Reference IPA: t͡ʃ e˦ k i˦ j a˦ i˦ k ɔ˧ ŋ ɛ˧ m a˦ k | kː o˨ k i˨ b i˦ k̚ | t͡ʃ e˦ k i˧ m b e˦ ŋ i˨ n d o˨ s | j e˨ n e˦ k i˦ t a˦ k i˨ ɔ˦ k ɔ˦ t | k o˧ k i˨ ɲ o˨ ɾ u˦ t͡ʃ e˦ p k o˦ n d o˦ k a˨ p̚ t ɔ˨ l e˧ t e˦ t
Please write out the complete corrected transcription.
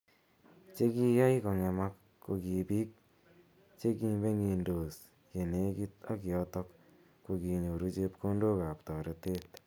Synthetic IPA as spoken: t͡ʃ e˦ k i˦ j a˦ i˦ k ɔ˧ ŋ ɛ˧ m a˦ k | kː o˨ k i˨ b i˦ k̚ | t͡ʃ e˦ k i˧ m b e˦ ŋ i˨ n d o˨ s | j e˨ n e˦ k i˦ t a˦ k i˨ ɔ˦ t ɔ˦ k | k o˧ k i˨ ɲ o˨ ɾ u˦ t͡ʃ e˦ p k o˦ n d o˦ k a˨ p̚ t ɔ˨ ɾ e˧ t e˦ t